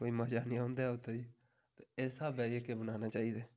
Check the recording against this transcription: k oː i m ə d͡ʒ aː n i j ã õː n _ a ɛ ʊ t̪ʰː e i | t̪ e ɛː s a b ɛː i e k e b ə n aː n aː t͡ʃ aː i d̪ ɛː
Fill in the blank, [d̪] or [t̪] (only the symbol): d̪